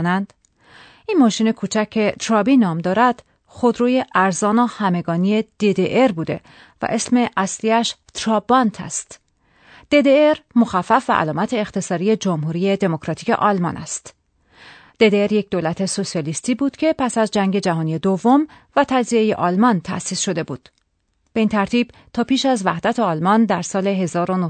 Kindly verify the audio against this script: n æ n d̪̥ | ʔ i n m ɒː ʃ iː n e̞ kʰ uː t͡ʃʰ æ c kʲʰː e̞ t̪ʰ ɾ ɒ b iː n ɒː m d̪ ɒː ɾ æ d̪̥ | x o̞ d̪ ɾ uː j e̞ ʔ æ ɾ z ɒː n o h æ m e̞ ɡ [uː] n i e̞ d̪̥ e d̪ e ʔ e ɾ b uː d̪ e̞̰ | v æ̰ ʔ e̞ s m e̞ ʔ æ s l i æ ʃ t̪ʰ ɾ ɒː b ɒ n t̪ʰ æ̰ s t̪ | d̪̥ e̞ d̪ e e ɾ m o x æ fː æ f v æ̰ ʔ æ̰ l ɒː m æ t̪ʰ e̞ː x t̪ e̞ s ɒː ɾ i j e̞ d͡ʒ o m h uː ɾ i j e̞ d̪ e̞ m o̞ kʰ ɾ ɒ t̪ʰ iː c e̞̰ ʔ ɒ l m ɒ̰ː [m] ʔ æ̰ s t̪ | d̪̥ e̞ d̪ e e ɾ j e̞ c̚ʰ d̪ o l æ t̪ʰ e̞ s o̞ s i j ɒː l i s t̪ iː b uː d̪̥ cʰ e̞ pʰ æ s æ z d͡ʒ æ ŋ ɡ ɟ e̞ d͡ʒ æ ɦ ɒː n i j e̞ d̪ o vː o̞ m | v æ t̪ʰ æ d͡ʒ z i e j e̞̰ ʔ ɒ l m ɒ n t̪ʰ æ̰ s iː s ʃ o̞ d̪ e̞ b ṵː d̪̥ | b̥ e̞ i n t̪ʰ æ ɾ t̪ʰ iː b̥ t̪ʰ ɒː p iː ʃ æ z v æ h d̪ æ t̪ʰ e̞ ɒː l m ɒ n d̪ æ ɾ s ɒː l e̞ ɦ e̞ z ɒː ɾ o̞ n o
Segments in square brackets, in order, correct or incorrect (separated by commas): incorrect, incorrect